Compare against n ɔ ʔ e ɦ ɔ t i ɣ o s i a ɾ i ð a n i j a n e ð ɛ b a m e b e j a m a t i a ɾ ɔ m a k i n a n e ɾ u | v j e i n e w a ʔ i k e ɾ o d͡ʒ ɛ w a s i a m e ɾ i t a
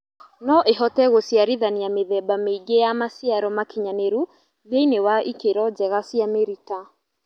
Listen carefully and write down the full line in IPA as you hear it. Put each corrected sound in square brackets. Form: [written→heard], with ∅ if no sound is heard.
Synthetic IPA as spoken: n ɔ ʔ e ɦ ɔ t [i→ɛ] ɣ o s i a ɾ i ð a n i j a [n→m] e ð ɛ b a m e [b→ɡ] e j a m a [t→s] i a ɾ ɔ m a k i [n→ɲ] a n e ɾ u | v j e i n e w a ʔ i k e ɾ [o→ɔ] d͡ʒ ɛ [w→ɣ] a s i a m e ɾ i t a